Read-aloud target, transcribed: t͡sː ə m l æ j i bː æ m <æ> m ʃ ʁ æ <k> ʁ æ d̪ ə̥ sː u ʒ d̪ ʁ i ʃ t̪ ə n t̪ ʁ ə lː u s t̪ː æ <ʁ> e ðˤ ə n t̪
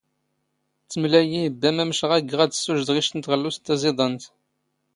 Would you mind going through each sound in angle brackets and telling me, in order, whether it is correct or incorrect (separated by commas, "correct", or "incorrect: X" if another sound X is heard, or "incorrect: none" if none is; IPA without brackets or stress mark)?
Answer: correct, incorrect: ɡ, incorrect: z